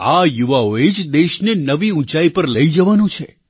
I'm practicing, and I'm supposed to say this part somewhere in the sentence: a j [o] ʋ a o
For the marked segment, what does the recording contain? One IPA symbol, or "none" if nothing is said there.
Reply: u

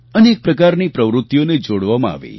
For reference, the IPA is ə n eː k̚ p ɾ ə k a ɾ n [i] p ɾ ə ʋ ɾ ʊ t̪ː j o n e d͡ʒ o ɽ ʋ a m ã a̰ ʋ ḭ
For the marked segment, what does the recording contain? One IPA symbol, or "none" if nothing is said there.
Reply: i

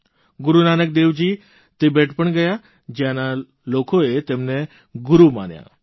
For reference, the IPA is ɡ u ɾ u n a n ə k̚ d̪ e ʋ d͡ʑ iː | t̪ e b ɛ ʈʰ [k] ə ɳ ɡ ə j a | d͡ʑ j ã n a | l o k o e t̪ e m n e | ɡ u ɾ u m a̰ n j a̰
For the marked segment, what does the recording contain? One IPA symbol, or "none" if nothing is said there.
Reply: p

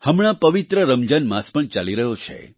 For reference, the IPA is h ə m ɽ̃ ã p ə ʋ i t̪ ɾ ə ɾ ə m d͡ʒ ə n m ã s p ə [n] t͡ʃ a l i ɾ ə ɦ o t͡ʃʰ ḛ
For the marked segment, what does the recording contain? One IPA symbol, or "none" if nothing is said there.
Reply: ɳ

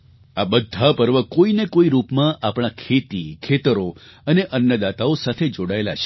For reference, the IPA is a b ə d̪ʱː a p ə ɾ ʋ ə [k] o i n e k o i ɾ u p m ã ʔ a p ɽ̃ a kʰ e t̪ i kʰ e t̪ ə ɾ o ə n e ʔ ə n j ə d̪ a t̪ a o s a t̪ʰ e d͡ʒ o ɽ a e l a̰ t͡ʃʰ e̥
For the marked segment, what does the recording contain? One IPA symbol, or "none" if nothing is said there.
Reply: k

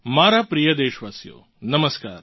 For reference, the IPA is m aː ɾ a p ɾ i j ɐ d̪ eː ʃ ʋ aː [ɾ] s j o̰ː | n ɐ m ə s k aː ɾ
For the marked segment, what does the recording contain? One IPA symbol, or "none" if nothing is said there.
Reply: none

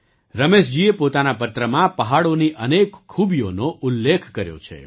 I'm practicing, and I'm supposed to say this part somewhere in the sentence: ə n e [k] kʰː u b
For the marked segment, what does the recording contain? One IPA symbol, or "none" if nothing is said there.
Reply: k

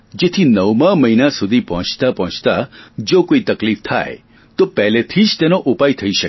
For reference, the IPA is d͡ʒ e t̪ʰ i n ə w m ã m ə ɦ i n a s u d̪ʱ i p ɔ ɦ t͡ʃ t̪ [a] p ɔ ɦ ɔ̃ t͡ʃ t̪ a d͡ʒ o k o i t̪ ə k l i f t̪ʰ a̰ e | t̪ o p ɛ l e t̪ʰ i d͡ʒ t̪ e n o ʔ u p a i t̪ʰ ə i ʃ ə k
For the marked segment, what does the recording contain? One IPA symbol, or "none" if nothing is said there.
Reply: a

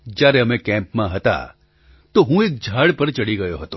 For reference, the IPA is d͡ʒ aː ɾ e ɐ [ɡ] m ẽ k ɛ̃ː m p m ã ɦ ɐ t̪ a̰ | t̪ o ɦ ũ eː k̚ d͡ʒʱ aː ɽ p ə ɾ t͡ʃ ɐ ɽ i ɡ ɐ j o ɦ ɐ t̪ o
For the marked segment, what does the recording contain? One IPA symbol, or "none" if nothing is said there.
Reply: none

